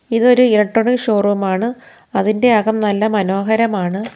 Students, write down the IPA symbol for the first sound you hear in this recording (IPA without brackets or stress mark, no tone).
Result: i